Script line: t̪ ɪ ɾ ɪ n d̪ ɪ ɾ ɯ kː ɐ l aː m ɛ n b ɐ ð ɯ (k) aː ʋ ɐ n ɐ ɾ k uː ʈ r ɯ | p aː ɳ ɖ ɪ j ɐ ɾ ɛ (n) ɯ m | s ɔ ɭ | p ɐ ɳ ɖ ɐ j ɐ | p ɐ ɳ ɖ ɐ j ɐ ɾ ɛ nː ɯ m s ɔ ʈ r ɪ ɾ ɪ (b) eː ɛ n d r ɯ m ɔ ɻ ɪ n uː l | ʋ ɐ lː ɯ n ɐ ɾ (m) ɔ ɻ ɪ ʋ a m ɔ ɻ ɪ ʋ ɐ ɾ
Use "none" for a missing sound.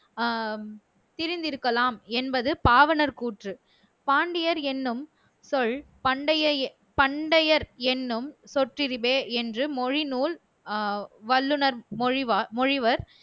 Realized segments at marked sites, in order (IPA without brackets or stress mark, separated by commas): p, nː, b, m